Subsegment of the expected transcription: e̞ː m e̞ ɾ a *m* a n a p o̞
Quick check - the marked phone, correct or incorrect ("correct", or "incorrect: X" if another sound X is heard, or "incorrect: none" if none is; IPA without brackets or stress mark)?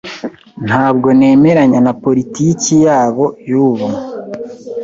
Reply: incorrect: ɲ